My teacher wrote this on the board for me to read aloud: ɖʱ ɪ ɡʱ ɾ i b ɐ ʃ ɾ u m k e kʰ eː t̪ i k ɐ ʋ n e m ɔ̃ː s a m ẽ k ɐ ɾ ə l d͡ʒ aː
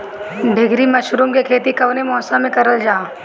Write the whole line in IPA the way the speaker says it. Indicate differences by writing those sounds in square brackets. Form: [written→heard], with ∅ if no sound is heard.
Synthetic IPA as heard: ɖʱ ɪ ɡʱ ɾ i [b→m] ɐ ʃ ɾ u m k e kʰ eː t̪ i k ɐ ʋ n e m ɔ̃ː s a m ẽ k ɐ ɾ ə l d͡ʒ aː